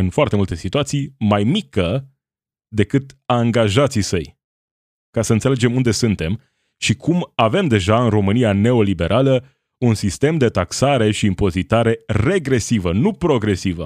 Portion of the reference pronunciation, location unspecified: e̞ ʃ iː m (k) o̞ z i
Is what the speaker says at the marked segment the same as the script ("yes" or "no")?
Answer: no